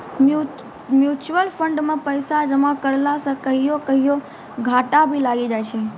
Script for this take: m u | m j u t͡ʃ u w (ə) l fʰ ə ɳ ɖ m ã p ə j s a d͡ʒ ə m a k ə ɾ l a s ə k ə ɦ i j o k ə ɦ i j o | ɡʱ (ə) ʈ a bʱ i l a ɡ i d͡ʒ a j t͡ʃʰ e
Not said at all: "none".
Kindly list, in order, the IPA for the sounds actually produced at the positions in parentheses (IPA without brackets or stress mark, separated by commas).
ə, a